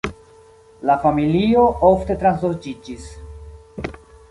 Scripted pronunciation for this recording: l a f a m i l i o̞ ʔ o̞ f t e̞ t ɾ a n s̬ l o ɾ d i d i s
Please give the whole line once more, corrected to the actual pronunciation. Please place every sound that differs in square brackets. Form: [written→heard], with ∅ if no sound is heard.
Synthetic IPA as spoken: l a f a m i l i o̞ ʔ o̞ f t e̞ t ɾ a n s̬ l o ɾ [d→d͡ʒ] i [d→d͡ʒ] i s